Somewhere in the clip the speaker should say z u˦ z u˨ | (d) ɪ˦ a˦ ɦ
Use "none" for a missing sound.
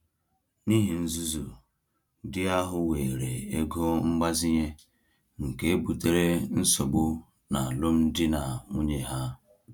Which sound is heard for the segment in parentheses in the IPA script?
d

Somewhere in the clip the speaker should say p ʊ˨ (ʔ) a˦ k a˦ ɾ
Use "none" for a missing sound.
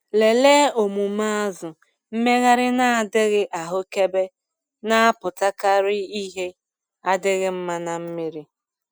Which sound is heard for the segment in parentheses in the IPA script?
t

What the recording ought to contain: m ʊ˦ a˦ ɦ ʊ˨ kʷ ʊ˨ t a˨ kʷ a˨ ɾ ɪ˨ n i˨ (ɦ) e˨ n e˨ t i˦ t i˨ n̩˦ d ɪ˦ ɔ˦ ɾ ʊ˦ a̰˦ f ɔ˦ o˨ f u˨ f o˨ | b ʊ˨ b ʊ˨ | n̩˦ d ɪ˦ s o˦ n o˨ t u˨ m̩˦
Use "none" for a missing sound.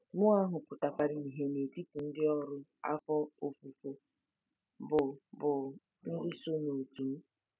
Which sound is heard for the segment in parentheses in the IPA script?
ɦ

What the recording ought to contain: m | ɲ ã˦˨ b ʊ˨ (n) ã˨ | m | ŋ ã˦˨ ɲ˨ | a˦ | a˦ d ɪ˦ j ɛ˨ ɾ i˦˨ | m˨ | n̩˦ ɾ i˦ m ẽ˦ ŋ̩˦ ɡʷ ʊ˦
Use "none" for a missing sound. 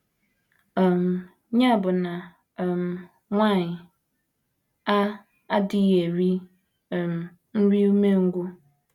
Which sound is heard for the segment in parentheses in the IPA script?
n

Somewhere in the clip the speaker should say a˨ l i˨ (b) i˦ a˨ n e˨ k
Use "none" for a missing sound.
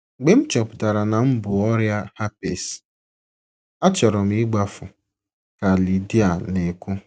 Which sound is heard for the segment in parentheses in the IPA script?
d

